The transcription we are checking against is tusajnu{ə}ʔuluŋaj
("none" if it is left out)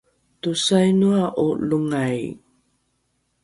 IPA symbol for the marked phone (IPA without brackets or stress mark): a